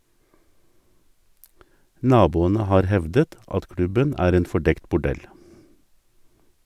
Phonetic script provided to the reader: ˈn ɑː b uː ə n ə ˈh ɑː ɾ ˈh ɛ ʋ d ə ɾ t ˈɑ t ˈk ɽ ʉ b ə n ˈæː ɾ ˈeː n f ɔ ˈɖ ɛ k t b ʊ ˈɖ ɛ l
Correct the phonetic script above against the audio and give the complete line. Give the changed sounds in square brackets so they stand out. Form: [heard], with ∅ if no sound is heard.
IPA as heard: ˈn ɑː b uː ə n ə ˈh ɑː ɾ ˈh ɛ ʋ d ə [∅] t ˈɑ t ˈk ɽ ʉ b ə n ˈæː ɾ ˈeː n f ɔ ˈɖ ɛ k t b ʊ ˈɖ ɛ l